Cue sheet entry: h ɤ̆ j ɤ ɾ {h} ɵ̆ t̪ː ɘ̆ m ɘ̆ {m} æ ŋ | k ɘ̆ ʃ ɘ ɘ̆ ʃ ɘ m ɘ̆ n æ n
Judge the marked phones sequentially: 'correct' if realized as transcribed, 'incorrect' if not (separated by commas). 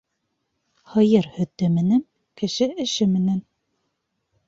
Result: correct, incorrect